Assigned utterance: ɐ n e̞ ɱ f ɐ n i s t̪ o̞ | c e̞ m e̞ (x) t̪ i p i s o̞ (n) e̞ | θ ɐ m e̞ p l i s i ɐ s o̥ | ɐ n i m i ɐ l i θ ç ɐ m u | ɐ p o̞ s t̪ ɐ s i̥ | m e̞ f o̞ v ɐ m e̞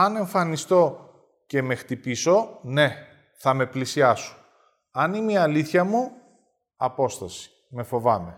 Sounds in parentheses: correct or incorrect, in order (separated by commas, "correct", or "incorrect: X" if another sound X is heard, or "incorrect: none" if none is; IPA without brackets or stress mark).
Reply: correct, correct